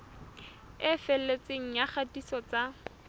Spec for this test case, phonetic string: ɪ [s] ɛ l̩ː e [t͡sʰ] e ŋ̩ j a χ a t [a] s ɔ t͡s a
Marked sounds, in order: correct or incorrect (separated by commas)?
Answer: incorrect, incorrect, incorrect